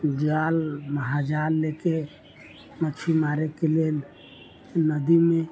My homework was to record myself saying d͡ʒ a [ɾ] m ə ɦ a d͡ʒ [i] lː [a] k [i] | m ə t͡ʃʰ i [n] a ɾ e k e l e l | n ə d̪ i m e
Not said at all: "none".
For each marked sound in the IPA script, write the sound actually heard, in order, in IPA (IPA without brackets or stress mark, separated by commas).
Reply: l, a, e, e, m